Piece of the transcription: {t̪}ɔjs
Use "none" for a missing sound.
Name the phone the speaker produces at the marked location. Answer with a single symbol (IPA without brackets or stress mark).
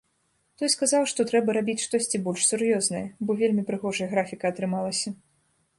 t̪